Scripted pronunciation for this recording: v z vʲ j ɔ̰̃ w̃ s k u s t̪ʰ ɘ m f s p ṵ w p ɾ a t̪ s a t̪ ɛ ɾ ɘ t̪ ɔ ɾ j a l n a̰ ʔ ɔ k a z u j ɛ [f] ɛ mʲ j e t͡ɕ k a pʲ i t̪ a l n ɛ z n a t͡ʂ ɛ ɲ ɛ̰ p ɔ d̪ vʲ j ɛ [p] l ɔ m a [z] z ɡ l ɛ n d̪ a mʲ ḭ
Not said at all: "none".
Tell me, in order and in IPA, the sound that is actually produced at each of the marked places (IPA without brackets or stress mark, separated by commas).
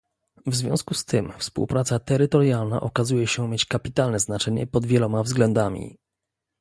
ɕ, none, v